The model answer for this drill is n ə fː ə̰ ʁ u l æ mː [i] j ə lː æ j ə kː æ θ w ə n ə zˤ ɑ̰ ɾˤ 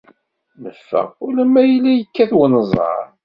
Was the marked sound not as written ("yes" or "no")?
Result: yes